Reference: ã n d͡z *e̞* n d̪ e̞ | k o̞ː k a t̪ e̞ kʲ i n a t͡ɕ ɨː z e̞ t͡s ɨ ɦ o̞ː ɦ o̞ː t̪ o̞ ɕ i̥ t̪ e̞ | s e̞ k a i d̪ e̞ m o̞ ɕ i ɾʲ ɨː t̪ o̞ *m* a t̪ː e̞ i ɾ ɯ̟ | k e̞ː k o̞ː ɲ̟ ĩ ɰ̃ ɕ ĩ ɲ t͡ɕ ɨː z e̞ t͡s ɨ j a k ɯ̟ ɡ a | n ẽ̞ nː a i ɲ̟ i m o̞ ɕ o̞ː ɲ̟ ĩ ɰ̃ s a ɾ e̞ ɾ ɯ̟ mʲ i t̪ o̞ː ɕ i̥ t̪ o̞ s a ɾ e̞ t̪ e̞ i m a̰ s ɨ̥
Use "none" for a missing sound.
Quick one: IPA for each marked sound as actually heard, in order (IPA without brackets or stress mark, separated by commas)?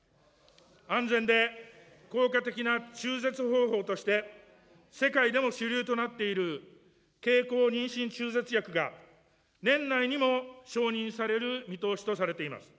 ẽ̞, n